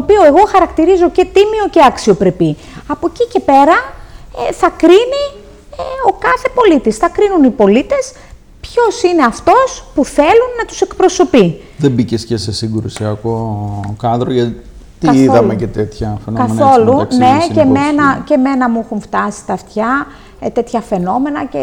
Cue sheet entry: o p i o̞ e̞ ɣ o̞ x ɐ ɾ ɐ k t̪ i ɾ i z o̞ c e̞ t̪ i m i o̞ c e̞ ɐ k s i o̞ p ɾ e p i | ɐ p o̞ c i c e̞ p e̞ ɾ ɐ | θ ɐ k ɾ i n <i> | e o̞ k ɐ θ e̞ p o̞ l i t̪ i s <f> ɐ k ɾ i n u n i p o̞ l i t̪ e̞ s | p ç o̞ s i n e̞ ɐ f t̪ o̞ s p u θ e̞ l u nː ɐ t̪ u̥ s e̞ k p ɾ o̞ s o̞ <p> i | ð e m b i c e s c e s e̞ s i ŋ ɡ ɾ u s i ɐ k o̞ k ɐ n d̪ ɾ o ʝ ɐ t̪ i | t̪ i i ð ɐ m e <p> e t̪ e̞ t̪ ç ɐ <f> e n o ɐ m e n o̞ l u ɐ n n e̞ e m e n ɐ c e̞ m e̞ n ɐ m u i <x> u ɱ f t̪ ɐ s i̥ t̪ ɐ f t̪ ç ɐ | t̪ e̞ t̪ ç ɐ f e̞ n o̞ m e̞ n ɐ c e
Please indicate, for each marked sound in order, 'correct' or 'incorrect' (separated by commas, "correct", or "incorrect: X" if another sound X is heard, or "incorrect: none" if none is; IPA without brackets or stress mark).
correct, incorrect: θ, correct, incorrect: c, correct, correct